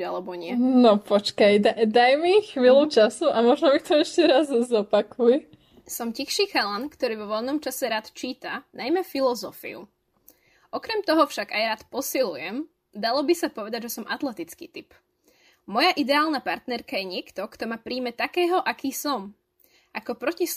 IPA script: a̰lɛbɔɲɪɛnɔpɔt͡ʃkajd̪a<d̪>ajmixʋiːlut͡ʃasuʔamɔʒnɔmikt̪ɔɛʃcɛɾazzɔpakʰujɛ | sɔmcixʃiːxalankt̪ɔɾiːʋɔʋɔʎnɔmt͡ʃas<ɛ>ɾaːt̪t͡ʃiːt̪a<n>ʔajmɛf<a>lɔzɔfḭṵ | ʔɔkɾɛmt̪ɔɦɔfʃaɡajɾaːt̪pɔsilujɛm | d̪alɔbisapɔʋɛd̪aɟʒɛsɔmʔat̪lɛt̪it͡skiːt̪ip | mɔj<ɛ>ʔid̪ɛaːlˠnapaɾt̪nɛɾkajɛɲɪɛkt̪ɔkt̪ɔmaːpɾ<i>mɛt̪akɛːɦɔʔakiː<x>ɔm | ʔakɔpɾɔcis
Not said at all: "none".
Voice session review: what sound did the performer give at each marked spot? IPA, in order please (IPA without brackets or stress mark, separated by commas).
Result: d̪, ɛ, n, i, a, iː, s